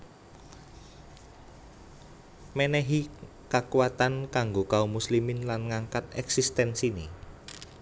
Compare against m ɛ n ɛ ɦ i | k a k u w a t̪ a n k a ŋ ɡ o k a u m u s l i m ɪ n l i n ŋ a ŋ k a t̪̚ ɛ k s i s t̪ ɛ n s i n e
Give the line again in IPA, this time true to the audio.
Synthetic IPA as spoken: m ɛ n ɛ ɦ i | k a k u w a t̪ a n k a ŋ ɡ o k a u m u s l i m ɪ n l a n ŋ a ŋ k a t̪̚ ɛ k s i s t̪ ɛ n s i n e